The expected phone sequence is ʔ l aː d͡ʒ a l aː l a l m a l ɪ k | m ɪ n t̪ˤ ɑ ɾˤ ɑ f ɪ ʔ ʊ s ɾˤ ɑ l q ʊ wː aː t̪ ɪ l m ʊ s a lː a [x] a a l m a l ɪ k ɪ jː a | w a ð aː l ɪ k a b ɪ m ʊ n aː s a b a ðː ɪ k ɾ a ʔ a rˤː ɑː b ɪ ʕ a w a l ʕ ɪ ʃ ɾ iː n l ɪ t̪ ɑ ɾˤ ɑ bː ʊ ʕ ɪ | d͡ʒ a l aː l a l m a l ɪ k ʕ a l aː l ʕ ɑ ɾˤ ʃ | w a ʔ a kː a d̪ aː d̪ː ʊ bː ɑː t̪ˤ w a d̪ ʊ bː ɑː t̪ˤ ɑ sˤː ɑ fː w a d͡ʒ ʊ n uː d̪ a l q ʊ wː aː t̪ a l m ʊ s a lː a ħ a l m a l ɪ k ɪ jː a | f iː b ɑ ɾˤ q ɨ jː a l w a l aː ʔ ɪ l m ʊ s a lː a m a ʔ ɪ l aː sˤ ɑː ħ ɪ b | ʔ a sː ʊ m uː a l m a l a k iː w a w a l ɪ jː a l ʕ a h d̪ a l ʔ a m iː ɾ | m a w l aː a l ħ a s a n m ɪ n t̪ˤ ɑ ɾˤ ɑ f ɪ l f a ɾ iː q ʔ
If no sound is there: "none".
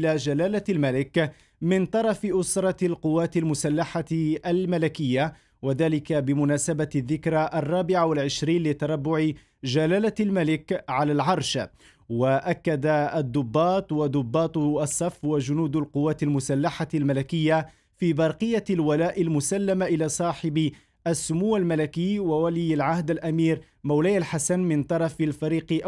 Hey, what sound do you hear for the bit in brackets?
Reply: ħ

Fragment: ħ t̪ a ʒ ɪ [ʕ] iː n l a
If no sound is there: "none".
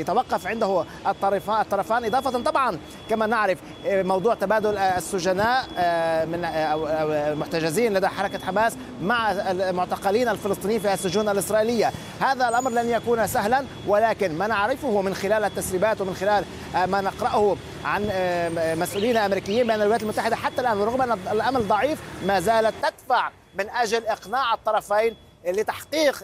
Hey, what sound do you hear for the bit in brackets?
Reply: z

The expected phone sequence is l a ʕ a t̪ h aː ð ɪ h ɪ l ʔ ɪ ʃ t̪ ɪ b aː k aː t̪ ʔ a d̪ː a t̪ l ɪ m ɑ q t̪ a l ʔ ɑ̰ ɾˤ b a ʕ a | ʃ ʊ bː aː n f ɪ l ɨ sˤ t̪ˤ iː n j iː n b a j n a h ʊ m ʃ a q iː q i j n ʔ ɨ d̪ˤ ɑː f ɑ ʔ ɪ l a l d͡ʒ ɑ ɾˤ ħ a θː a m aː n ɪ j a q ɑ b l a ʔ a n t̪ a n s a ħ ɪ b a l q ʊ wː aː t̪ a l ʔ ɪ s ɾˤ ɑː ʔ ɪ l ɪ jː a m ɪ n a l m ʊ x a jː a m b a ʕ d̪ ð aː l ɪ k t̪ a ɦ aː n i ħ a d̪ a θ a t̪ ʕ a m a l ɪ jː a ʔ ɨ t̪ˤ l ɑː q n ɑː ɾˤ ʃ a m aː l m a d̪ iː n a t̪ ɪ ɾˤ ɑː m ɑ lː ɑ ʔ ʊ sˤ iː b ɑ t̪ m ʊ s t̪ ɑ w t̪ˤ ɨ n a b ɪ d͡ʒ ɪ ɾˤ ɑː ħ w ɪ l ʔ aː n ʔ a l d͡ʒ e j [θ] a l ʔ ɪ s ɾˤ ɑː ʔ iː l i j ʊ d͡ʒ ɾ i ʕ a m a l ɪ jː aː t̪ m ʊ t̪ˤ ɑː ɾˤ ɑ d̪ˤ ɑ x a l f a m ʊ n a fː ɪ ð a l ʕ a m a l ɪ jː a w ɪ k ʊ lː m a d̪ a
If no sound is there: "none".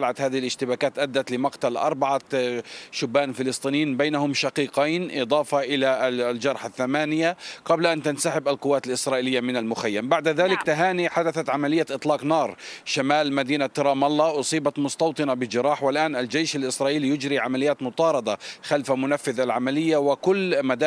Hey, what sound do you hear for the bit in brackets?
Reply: ʃ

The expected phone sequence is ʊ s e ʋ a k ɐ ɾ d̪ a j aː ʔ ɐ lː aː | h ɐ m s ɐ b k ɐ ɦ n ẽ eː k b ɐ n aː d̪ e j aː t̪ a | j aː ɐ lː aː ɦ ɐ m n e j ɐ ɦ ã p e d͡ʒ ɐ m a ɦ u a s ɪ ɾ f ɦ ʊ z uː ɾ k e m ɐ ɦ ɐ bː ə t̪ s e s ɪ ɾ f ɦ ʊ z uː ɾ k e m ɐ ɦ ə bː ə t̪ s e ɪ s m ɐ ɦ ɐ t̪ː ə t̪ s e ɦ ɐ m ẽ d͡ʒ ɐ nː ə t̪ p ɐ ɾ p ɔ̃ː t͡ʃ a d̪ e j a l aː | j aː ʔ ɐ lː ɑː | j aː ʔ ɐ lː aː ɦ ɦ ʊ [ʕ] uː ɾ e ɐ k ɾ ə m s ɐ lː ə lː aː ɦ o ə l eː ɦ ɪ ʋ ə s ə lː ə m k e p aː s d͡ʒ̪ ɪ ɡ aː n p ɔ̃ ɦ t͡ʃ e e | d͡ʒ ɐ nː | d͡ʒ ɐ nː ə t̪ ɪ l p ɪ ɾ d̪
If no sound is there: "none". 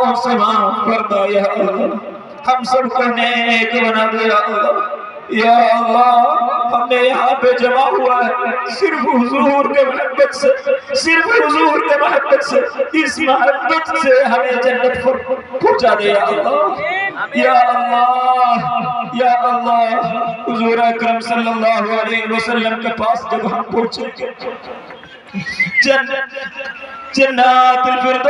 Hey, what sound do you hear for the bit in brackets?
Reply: z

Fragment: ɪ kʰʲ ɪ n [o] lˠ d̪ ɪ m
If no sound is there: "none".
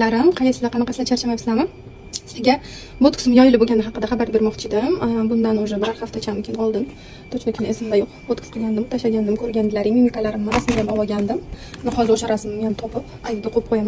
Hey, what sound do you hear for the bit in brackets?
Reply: ɒ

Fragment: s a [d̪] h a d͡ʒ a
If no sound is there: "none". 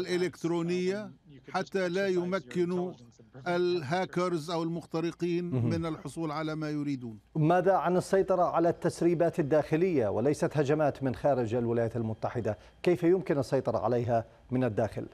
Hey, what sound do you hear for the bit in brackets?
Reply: t̪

